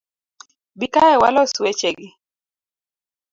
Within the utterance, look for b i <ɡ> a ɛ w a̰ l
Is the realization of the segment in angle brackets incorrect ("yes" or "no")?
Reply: yes